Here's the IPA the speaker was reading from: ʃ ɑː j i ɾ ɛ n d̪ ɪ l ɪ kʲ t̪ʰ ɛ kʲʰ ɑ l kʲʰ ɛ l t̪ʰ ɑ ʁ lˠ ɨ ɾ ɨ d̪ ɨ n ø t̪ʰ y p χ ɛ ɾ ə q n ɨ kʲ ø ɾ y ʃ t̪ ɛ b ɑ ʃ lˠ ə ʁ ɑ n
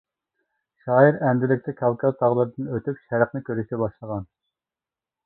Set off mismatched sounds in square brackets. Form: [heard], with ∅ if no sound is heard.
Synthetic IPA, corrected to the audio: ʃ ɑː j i ɾ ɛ n d̪ ɪ l ɪ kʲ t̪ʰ ɛ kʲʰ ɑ l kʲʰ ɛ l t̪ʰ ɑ ʁ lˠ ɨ ɾ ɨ d̪ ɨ n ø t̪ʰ y p [ʃ] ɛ ɾ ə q n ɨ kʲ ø ɾ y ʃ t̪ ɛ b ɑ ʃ lˠ ə ʁ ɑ n